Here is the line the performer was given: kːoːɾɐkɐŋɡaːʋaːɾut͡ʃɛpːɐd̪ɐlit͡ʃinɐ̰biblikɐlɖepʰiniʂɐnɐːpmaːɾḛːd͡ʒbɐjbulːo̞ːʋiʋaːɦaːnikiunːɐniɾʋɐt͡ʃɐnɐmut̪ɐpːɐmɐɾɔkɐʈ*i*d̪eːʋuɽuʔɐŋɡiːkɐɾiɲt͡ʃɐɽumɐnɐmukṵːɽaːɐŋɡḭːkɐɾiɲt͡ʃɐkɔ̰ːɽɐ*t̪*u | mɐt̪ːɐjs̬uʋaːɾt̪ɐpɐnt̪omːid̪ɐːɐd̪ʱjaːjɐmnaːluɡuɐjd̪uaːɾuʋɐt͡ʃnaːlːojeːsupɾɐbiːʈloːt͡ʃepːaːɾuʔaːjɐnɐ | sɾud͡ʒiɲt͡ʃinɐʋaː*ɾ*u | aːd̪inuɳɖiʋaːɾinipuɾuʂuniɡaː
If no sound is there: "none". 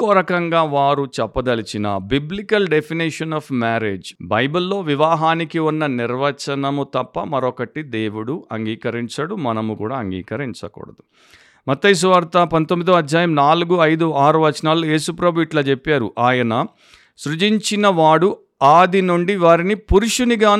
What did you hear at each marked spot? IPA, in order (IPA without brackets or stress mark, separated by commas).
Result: i, d̪, ɽ